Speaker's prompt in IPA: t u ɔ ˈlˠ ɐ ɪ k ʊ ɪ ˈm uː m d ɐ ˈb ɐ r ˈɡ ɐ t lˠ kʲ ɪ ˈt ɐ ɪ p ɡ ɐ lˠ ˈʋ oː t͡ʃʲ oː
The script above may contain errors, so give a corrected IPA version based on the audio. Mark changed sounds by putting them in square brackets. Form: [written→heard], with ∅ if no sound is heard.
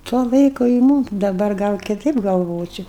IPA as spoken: t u ɔ ˈlˠ ɐ ɪ k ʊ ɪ ˈm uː m d ɐ ˈb ɐ r ˈɡ ɐ [t→∅] lˠ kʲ ɪ ˈt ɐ ɪ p ɡ ɐ lˠ ˈʋ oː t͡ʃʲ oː